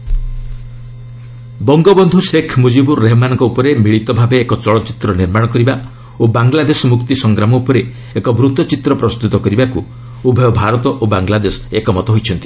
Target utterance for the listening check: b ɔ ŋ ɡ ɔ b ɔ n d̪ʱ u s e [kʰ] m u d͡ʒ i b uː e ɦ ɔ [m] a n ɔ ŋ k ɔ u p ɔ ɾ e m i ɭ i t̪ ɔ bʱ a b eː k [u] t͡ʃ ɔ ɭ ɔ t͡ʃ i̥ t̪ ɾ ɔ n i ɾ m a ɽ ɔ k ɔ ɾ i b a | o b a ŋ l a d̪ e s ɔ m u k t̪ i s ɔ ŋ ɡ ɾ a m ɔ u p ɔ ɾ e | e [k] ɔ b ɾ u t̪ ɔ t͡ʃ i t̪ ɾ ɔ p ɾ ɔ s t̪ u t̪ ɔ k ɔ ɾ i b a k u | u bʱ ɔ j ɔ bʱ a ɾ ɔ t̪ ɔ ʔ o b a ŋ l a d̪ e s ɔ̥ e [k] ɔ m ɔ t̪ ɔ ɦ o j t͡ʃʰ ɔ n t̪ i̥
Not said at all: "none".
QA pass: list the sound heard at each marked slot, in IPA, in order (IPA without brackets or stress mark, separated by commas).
kʰ, m, ɔ, k, k